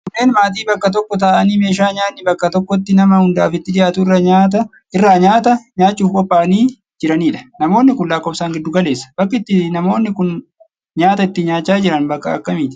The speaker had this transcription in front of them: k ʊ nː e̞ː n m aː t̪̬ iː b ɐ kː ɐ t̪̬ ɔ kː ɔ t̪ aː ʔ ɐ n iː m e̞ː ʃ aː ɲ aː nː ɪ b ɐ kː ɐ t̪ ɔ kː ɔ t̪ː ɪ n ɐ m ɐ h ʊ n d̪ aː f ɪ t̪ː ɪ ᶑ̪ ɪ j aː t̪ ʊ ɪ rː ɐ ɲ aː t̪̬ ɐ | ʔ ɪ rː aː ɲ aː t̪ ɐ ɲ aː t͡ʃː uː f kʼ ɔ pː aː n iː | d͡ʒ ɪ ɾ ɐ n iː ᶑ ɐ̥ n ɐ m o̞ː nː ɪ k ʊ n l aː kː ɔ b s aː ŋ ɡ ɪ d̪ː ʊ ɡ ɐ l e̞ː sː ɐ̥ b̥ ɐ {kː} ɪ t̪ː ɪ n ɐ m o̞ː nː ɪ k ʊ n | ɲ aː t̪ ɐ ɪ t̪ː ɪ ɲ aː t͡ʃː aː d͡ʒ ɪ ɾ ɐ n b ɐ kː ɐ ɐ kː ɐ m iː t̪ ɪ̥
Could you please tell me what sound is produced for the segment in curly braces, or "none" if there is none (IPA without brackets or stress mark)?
kː